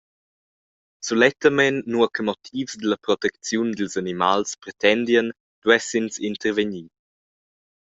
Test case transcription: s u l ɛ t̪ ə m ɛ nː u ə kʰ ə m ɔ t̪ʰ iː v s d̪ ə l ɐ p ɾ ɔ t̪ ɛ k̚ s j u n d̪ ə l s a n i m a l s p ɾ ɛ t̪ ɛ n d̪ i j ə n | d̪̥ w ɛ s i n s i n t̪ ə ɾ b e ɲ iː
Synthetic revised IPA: s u l ɛ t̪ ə m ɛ nː u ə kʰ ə m ɔ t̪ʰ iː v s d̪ ə l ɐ p ɾ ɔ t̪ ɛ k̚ t͡s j u n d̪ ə l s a n i m a l s p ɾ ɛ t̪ ɛ n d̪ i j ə n | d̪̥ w ɛ s i n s i n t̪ ə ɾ v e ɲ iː